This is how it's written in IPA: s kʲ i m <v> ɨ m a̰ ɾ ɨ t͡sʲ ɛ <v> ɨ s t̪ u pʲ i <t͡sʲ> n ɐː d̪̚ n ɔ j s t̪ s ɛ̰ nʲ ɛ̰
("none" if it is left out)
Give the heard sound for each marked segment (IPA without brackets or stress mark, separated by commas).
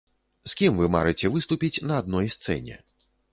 v, v, t͡sʲ